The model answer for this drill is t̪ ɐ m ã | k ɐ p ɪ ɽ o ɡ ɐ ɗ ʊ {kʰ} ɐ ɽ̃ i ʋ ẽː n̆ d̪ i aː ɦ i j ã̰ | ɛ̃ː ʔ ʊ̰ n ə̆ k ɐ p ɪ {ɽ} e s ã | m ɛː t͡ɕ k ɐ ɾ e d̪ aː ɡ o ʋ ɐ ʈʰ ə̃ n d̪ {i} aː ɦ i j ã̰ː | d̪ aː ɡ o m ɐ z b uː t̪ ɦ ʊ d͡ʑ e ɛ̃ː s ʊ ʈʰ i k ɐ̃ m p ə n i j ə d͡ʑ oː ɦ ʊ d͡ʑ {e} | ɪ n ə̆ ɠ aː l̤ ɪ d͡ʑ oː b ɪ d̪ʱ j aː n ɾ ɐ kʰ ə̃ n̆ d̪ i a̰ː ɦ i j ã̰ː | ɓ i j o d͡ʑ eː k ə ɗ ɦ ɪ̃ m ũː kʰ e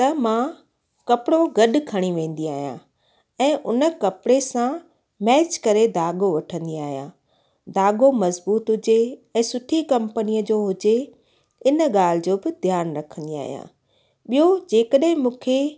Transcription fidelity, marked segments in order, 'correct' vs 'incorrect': correct, correct, correct, correct

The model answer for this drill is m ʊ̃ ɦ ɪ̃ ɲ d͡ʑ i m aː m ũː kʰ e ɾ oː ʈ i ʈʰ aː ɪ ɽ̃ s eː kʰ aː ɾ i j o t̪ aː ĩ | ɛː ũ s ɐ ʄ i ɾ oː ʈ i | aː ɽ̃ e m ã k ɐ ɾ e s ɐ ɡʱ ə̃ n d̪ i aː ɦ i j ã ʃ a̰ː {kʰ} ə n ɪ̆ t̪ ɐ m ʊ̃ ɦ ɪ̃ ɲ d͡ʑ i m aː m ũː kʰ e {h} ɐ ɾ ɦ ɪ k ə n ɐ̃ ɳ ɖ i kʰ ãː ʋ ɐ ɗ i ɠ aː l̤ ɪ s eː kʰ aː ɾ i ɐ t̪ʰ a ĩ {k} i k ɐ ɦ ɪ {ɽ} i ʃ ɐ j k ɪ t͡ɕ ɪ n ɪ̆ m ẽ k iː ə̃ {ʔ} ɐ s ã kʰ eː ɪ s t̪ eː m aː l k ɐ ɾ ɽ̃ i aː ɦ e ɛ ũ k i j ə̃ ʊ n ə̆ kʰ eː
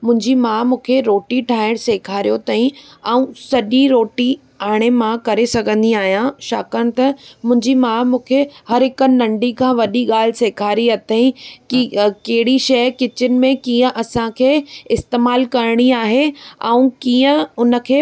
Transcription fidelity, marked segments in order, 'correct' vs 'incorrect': incorrect, correct, correct, correct, correct

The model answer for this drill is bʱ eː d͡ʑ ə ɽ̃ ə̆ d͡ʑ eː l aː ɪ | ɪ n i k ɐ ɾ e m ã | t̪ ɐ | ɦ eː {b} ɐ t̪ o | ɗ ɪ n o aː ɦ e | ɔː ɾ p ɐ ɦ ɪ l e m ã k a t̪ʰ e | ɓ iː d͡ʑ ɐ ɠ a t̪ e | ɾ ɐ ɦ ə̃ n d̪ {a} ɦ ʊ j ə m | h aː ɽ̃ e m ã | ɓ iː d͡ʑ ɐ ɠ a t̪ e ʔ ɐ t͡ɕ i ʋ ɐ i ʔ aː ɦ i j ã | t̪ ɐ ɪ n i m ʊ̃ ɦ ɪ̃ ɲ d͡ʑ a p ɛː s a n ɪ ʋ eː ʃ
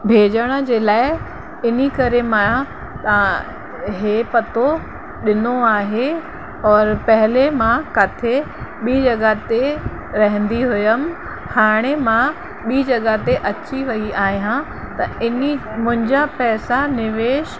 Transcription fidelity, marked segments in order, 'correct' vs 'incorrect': incorrect, incorrect

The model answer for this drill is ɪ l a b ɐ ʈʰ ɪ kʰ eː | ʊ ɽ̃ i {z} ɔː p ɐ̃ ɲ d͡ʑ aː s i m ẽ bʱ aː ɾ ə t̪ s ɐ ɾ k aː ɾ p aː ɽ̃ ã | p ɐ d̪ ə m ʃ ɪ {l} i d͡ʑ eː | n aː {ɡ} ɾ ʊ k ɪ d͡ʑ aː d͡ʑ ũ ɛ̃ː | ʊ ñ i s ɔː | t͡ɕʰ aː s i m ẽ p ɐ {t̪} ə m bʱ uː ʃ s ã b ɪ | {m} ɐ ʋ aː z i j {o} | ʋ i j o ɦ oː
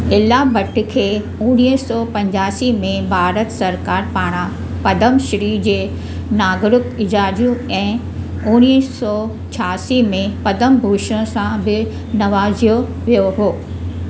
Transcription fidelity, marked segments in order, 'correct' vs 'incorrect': incorrect, incorrect, correct, incorrect, incorrect, correct

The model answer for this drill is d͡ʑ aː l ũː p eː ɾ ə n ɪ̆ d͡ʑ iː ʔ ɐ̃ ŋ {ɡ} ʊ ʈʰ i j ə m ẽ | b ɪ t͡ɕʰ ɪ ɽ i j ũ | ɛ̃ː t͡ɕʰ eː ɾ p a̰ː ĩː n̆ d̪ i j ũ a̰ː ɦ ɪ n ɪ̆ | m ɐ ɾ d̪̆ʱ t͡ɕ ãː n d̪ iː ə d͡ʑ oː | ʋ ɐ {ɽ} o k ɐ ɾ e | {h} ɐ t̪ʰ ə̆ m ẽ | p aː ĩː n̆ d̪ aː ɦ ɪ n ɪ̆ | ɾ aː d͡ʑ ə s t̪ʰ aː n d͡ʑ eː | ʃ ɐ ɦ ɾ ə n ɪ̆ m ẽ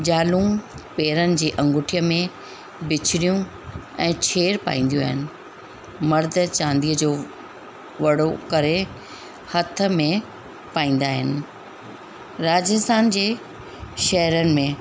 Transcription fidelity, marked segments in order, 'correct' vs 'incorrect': correct, correct, correct

